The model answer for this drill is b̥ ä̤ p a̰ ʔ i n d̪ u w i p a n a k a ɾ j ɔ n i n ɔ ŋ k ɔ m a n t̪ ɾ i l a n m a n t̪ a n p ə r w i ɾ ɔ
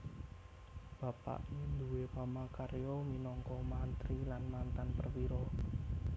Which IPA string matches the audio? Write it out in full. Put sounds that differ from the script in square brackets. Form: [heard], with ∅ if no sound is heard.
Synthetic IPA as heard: b̥ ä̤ p a̰ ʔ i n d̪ u w [e] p a [m] a k a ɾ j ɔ [m] i n ɔ ŋ k ɔ m a n t̪ ɾ i l a n m a n t̪ a n p ə r w i ɾ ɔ